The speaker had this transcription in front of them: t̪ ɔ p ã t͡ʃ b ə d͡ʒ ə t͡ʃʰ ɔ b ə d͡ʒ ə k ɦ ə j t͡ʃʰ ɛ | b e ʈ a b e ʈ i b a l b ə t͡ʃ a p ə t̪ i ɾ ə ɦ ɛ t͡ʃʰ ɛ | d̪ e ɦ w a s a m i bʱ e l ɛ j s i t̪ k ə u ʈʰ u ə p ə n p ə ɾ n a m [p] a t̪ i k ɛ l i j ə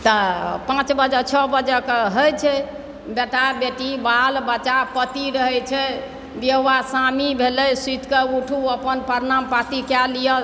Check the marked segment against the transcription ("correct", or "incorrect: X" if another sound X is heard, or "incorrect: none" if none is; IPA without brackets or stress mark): correct